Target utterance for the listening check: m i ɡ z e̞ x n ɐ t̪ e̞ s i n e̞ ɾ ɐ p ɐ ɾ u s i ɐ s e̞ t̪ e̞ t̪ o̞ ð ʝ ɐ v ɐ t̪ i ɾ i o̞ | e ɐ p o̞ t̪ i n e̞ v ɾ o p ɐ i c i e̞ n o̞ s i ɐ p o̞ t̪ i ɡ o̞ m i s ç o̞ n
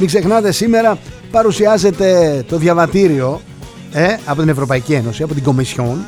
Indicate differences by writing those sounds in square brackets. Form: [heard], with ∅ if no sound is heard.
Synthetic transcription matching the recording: m i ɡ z e̞ x n ɐ t̪ e̞ s i [m] e̞ ɾ ɐ p ɐ ɾ u s i ɐ [z] e̞ t̪ e̞ t̪ o̞ ð ʝ ɐ v ɐ t̪ i ɾ i o̞ | e ɐ p o̞ t̪ i n e̞ v ɾ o p ɐ i c i e̞ n o̞ s i ɐ p o̞ t̪ i ɡ o̞ m i s ç o̞ n